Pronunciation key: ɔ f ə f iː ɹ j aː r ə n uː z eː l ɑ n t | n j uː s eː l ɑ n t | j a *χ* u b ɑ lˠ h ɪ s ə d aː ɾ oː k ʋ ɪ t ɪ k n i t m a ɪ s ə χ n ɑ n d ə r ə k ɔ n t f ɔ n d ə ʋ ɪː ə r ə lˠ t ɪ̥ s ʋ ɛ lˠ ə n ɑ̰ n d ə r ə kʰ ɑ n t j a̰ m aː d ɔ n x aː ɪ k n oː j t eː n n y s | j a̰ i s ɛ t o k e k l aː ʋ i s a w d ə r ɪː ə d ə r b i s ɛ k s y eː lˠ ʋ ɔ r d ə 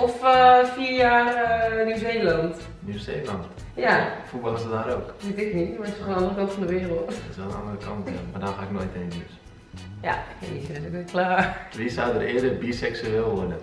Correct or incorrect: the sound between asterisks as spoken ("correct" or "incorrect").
incorrect